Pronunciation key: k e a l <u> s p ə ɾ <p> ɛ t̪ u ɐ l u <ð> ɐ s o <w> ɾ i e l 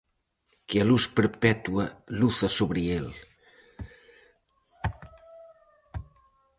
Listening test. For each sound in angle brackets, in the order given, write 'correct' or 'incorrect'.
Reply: correct, correct, incorrect: θ, incorrect: β

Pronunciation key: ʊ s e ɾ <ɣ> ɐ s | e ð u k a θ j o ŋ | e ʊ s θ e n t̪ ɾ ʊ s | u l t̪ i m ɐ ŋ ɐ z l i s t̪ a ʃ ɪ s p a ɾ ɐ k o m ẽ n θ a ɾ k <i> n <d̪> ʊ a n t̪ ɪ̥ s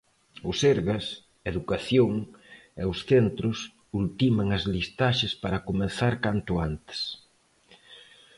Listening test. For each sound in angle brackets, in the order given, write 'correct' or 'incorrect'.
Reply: correct, incorrect: a, incorrect: t̪

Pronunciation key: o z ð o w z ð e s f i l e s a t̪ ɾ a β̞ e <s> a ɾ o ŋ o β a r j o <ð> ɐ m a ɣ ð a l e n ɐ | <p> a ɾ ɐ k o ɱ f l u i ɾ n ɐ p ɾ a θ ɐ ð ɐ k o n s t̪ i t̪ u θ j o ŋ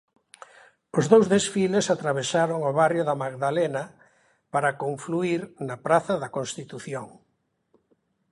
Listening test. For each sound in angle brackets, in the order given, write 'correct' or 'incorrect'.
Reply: correct, correct, correct

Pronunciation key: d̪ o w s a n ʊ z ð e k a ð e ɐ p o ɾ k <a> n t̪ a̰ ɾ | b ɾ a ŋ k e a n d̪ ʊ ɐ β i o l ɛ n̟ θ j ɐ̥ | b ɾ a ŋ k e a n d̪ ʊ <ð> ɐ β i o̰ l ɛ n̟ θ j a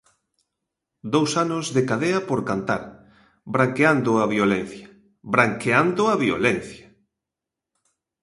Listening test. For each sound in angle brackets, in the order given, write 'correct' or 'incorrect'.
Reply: correct, incorrect: none

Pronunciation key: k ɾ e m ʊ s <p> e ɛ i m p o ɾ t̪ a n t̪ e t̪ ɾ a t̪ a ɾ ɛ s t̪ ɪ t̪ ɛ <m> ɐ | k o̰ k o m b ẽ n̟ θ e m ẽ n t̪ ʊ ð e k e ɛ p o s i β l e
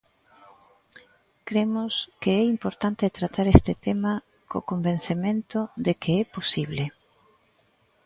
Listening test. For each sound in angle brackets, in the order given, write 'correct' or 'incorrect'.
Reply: incorrect: k, correct

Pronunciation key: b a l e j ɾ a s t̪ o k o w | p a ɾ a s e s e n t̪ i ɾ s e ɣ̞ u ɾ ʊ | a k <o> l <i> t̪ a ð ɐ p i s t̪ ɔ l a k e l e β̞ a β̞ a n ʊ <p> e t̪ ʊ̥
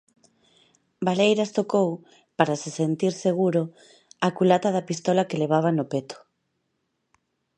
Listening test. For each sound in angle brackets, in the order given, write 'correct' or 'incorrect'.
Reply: incorrect: u, incorrect: a, correct

